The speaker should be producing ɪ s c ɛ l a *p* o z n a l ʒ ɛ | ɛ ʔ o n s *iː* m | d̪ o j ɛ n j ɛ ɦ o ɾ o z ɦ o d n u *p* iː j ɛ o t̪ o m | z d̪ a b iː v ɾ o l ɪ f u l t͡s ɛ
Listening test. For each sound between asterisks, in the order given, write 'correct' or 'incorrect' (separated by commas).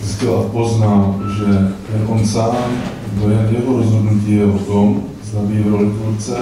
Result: correct, incorrect, incorrect